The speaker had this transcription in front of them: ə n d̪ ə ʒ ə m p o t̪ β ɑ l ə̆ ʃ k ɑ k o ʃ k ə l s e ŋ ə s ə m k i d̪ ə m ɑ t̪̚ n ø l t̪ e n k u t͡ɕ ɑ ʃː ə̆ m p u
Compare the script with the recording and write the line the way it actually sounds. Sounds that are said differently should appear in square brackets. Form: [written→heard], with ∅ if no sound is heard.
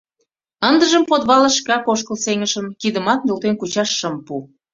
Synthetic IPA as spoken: ə n d̪ ə ʒ ə m p o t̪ β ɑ l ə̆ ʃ k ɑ k o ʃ k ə l s e ŋ ə [s→ʃ] ə m k i d̪ ə m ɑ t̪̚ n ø l t̪ e n k u t͡ɕ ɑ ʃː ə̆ m p u